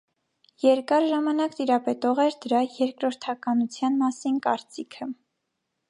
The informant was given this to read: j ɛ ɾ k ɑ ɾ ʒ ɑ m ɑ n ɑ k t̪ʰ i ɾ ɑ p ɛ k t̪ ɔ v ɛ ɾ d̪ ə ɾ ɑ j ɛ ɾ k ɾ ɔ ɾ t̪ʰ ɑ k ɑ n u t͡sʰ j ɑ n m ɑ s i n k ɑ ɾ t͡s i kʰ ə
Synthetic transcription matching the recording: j ɛ ɾ k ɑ ɾ ʒ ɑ m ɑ n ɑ k t̪ i ɾ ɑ p ɛ t̪ ɔ ʁ ɛ ɾ d̪ ə ɾ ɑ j ɛ ɾ k ɾ ɔ ɾ t̪ʰ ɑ k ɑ n u t͡sʰ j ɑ n m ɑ s i n k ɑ ɾ t͡s i kʰ ə